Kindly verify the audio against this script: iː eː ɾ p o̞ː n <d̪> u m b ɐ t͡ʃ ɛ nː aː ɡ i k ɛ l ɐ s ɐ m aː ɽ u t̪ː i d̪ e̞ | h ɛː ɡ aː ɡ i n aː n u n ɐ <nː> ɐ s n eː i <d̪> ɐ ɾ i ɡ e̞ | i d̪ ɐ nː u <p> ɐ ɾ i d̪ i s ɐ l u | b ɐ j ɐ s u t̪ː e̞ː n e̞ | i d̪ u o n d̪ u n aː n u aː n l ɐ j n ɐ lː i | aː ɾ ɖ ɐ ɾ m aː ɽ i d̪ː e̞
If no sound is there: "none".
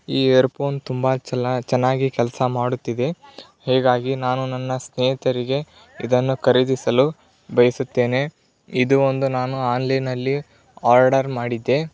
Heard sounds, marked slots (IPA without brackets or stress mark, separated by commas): t̪, nː, t̪, k